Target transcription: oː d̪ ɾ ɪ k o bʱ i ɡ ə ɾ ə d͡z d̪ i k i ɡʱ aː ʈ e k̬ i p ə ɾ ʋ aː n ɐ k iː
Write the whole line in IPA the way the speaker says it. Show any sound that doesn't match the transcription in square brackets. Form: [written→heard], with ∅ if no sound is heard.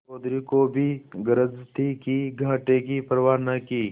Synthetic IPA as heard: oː d̪ ɾ [ɪ→i] k o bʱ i ɡ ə ɾ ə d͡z [d̪→t̪] i k i ɡʱ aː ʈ e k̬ i p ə ɾ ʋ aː n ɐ k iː